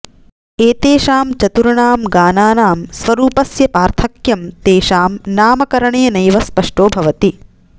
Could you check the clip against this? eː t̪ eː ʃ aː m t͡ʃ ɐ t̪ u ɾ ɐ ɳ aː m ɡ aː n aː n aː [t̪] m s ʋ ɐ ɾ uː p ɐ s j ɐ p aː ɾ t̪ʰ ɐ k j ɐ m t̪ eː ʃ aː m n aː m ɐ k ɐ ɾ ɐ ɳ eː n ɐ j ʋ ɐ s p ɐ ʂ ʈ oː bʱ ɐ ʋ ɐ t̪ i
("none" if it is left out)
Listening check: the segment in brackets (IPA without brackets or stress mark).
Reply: none